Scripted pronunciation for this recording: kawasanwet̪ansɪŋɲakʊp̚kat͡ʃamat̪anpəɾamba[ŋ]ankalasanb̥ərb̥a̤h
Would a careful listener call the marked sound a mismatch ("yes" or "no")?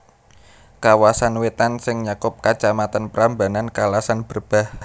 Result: yes